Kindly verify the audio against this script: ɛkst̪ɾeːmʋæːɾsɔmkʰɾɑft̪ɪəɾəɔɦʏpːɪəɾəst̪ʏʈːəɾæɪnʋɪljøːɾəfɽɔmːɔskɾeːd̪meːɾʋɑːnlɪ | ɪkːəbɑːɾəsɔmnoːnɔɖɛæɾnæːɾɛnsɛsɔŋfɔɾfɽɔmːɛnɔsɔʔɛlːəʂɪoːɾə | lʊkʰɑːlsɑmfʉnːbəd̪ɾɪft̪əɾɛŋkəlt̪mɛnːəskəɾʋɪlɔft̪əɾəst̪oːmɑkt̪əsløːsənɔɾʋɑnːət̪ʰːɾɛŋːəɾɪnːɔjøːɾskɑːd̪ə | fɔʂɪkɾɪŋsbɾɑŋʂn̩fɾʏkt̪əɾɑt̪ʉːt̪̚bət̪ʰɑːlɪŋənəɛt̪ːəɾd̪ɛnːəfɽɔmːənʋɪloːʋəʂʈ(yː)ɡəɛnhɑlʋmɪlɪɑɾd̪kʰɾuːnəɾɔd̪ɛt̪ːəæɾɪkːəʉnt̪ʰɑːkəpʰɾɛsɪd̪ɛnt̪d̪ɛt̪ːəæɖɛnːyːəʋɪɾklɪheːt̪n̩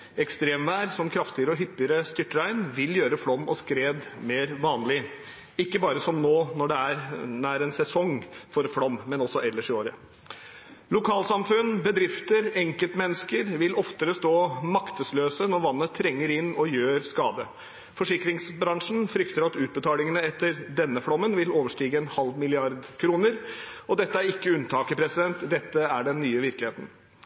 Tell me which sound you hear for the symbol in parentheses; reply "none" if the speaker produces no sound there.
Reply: iː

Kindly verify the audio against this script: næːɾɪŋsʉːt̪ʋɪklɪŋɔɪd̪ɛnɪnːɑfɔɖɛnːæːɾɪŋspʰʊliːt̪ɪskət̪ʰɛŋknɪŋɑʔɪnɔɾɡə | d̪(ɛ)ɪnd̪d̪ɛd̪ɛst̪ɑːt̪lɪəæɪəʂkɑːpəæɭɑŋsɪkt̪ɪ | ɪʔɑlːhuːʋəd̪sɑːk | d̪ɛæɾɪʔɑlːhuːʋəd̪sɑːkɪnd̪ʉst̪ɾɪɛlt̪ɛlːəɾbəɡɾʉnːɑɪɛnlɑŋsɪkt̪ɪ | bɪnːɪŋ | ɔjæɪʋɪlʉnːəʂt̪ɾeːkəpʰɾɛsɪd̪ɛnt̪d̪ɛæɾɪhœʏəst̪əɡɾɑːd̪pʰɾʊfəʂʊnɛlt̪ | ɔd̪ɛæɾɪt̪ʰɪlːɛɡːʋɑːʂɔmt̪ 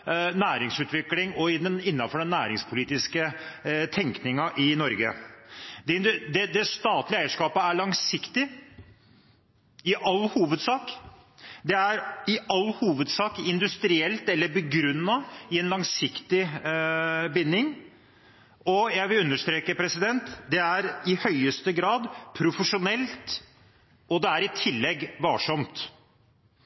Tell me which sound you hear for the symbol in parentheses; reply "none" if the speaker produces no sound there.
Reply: ɛ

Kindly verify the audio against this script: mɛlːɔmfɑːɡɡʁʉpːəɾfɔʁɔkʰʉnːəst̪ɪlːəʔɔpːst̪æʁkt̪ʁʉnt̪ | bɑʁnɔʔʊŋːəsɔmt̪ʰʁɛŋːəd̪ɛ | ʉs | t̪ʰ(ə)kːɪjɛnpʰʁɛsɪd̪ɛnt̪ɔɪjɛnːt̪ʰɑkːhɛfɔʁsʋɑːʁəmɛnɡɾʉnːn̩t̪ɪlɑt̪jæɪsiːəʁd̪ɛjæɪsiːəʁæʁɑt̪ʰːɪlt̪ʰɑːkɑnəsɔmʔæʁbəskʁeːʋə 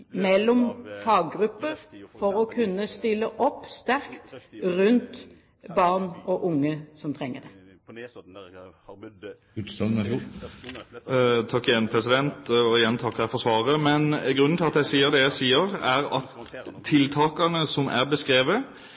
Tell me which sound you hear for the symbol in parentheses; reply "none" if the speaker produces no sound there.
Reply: ɑ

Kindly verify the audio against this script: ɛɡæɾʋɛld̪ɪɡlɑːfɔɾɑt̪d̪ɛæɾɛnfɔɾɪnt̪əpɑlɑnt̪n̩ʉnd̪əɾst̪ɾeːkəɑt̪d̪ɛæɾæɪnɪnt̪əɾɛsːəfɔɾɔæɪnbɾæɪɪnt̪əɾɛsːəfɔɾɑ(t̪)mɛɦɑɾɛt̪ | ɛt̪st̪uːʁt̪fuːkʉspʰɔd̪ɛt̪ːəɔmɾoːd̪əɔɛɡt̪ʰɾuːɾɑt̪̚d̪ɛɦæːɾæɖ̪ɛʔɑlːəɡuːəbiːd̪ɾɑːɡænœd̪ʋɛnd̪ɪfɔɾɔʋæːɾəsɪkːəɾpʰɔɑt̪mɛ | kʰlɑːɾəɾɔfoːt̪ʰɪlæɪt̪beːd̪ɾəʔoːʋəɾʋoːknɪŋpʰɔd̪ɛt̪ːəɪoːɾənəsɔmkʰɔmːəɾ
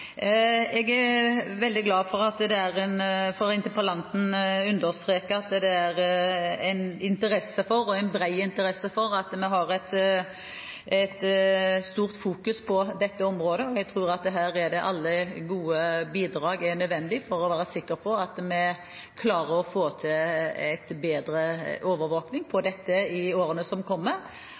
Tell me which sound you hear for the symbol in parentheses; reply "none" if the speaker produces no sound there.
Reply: t̪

